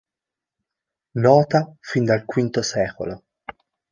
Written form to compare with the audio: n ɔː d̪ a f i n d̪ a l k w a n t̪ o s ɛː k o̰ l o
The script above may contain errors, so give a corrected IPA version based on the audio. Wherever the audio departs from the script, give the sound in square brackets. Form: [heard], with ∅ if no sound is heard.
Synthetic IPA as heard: n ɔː [t̪] a f i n d̪ a l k w [i] n t̪ o s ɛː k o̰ l o